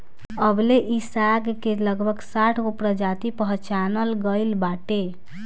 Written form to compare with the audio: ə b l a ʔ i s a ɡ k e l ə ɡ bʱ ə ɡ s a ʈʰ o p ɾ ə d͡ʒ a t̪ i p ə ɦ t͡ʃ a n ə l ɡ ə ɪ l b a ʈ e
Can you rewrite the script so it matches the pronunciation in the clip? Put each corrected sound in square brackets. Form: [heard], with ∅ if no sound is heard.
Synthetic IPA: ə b l [e] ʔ i s a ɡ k e l ə ɡ bʱ ə ɡ s a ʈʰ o p ɾ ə d͡ʒ a t̪ i p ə ɦ t͡ʃ a n ə l ɡ ə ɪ l b a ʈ e